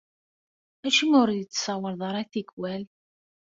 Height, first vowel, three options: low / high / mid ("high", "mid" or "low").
low